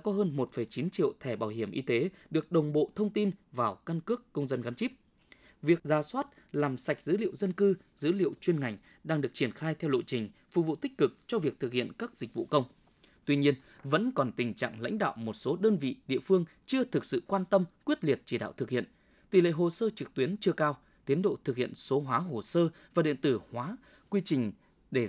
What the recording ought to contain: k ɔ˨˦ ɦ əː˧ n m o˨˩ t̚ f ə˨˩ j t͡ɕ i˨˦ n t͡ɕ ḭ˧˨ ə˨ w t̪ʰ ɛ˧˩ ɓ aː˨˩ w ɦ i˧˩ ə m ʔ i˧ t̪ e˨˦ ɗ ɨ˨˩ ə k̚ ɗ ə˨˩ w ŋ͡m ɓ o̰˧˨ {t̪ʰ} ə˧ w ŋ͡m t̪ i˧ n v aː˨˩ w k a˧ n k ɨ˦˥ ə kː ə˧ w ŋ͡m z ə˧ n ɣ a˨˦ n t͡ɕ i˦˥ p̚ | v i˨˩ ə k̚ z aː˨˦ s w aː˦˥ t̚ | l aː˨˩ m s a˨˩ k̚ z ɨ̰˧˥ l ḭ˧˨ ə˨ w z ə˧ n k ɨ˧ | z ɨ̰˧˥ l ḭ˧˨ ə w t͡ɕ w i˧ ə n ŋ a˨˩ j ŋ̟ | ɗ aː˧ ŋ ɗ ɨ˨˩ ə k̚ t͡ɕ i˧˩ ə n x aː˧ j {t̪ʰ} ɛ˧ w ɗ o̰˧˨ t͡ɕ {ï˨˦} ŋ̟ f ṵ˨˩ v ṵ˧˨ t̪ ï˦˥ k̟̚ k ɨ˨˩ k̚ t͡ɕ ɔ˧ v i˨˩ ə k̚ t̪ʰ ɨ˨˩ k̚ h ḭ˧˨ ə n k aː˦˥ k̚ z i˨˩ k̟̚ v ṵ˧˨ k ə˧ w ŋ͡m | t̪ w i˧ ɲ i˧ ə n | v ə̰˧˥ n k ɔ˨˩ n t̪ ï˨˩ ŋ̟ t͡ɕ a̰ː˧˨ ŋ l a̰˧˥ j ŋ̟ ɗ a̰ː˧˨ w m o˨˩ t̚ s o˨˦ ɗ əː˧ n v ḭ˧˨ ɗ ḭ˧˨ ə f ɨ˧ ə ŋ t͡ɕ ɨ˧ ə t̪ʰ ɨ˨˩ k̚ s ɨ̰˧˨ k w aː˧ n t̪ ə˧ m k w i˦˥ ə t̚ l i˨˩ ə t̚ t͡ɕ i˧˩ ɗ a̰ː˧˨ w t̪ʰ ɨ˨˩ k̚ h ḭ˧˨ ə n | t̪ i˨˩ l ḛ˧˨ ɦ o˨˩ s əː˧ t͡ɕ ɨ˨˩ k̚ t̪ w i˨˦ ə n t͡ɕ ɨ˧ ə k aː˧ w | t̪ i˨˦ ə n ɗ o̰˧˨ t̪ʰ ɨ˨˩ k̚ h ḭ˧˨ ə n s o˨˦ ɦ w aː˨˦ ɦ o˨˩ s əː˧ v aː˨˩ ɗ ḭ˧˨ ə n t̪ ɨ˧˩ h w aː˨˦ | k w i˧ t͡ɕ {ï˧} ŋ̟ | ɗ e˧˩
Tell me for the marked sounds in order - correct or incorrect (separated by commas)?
correct, correct, incorrect, incorrect